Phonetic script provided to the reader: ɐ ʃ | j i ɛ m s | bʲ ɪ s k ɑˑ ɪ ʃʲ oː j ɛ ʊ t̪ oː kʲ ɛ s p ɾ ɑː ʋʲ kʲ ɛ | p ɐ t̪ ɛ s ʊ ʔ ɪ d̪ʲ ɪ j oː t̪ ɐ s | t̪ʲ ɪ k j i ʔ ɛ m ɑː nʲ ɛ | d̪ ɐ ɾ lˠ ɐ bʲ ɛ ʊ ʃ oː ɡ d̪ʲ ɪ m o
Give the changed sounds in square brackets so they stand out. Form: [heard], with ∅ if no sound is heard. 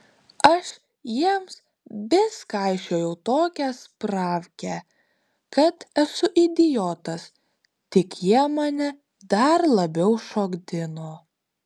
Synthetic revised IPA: ɐ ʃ | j i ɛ m s | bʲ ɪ s k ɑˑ ɪ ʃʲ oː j ɛ ʊ t̪ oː kʲ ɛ s p ɾ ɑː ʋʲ kʲ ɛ | [k] ɐ t̪ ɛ s ʊ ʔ ɪ d̪ʲ ɪ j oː t̪ ɐ s | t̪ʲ ɪ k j i [∅] ɛ m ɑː nʲ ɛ | d̪ ɐ ɾ lˠ ɐ bʲ ɛ ʊ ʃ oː ɡ d̪ʲ ɪ [n] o